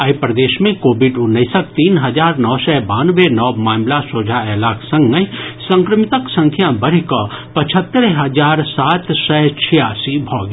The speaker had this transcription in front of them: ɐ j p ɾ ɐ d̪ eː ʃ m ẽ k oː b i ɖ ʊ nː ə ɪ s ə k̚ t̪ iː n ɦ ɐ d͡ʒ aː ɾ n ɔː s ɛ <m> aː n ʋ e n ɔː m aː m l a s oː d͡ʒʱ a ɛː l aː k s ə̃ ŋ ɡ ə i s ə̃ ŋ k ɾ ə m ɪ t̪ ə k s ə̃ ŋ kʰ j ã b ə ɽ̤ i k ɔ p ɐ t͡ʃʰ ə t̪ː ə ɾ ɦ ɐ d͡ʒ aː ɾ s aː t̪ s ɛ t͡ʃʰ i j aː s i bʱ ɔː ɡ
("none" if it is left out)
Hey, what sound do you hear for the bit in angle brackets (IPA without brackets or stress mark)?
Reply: b